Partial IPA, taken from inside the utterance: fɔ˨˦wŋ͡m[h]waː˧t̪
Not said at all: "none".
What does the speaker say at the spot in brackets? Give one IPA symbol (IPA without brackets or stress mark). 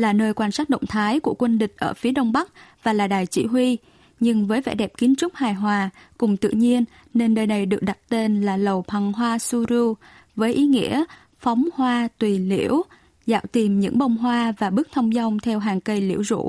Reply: h